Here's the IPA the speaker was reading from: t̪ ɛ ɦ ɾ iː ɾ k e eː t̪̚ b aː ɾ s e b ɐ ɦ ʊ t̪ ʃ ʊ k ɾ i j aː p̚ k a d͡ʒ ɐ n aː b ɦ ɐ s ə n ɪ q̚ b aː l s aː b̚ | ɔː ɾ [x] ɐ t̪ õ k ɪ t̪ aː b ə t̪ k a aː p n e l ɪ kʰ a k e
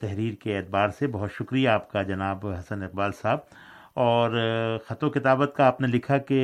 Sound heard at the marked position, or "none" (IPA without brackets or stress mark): x